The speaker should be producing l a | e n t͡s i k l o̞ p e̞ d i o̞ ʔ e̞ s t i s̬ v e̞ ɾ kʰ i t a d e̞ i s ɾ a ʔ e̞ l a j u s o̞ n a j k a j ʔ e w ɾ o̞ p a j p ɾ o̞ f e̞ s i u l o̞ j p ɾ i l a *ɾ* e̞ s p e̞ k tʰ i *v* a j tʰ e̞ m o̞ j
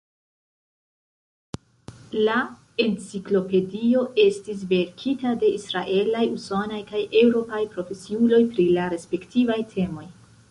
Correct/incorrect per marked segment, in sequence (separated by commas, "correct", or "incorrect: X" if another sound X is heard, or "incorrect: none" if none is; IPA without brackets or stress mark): correct, correct